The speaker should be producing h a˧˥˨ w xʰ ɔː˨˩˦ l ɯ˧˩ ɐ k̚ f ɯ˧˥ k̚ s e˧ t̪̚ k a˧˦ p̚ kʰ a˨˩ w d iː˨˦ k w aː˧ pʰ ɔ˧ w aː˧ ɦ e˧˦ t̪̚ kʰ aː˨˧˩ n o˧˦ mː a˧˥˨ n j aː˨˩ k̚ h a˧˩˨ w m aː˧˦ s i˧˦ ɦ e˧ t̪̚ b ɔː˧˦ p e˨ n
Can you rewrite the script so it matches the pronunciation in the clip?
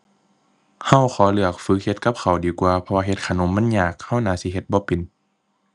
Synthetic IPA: h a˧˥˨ w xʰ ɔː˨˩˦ l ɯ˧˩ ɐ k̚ f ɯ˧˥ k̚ h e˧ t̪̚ k a˧˦ p̚ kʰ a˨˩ w d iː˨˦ k w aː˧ pʰ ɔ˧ w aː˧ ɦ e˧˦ t̪̚ kʰ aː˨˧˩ n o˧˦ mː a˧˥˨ n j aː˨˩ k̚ h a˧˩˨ w n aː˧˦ s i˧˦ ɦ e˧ t̪̚ b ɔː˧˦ p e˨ n